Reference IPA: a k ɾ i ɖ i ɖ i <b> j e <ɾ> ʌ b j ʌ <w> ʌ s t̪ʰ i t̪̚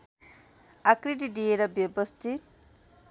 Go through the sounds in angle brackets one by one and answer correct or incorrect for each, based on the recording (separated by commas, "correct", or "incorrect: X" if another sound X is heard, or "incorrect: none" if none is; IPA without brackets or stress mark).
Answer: incorrect: none, correct, incorrect: b